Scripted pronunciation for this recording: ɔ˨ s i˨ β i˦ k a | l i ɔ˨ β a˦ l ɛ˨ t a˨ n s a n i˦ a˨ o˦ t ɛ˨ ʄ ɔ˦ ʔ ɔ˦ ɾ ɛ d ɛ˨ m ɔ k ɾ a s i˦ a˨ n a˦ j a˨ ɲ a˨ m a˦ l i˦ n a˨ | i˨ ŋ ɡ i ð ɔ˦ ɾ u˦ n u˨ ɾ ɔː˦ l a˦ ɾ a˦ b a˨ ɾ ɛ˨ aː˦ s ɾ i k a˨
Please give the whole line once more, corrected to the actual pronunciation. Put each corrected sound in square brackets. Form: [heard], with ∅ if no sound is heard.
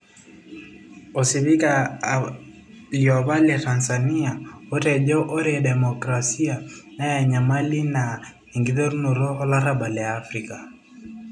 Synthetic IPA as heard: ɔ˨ s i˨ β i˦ k a | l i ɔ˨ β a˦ l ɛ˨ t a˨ n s a n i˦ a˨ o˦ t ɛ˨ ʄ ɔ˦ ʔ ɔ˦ ɾ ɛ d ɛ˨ m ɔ k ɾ a s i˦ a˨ n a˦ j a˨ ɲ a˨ m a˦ l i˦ n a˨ | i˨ ŋ ɡ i ð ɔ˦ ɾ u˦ n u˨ ɾ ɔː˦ l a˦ ɾ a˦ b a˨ [l] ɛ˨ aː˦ [f] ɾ i k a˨